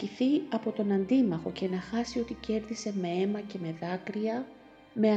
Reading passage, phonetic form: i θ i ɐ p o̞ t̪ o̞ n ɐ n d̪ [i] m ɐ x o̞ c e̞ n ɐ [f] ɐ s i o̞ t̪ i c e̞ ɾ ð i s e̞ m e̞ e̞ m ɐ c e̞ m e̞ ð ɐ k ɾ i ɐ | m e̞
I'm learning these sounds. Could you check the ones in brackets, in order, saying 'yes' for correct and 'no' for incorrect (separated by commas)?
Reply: yes, no